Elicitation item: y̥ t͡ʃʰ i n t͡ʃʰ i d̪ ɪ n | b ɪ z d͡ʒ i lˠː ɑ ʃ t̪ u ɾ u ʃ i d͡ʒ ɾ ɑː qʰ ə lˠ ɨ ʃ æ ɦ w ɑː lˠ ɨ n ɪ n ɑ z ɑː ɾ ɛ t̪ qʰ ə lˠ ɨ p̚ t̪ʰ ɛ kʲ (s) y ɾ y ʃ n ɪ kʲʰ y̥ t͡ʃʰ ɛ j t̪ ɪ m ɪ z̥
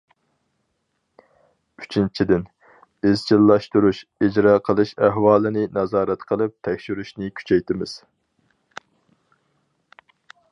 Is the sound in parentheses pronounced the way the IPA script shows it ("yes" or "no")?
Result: no